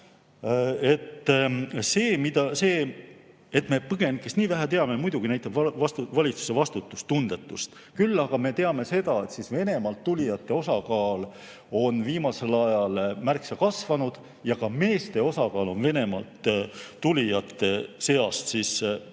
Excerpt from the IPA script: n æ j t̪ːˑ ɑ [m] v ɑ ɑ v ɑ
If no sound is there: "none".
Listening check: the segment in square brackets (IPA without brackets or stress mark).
b